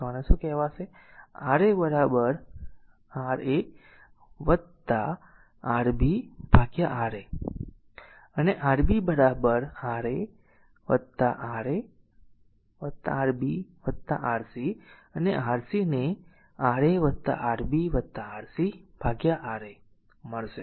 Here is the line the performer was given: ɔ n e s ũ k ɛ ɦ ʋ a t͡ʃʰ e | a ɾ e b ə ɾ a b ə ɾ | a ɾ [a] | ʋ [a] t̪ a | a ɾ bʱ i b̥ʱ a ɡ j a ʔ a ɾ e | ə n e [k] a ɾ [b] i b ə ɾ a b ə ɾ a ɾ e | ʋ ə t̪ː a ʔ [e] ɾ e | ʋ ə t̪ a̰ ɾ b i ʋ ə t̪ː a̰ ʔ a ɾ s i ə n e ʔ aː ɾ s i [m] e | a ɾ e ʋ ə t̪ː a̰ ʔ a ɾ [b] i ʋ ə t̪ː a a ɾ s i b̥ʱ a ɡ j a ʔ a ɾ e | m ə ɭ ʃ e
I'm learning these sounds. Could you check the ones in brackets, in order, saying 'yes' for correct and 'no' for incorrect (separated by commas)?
no, no, no, yes, no, no, yes